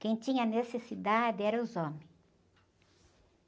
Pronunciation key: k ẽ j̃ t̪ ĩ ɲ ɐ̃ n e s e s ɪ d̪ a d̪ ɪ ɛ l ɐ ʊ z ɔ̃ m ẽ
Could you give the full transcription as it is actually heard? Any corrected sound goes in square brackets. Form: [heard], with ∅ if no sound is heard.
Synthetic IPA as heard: k ẽ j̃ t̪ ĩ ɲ [ɐ] n e s e s [i] d̪ a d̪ ɪ ɛ [ɾ] ɐ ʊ z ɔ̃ m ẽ